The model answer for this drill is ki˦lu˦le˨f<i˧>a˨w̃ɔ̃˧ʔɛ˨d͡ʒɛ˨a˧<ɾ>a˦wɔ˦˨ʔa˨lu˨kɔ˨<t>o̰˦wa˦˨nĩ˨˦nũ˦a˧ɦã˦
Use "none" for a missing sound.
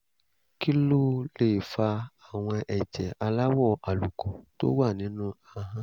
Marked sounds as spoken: a˧, l, t

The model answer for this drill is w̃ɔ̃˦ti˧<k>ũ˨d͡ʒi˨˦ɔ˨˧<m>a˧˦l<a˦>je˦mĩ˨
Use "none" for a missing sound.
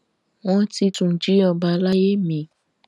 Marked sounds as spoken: t, b, a˦

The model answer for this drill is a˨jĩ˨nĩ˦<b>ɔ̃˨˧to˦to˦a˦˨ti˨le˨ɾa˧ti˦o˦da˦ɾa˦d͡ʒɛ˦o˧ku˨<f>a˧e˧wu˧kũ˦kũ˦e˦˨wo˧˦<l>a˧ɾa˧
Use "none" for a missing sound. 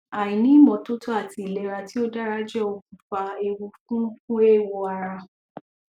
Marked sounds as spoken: m, f, none

